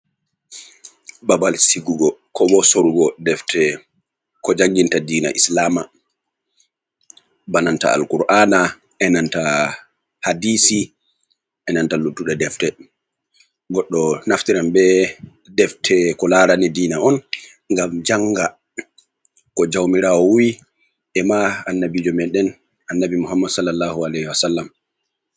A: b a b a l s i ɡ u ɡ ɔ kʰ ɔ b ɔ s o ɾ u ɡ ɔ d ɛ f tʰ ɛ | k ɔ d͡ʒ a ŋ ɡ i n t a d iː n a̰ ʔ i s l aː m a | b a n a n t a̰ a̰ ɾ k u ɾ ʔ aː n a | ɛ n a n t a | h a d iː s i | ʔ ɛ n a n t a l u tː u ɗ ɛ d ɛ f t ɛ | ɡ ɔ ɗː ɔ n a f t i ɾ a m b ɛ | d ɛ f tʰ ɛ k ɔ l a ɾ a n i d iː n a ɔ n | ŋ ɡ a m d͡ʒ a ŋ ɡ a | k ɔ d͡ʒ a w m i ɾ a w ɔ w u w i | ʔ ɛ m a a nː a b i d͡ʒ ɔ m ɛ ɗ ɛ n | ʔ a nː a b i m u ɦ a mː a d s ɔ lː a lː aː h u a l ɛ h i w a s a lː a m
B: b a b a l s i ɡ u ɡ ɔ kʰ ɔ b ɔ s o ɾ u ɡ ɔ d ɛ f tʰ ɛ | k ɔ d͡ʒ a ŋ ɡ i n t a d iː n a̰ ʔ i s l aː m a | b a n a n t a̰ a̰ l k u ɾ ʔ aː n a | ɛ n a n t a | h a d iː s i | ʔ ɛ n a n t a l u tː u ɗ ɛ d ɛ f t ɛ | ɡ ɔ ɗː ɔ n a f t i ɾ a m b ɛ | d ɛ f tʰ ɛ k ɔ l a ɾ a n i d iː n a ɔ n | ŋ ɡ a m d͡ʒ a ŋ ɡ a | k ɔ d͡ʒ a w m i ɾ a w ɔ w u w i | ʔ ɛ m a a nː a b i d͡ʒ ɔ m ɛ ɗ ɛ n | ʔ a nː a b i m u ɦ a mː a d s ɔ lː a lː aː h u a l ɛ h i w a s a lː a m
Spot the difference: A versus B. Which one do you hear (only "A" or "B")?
B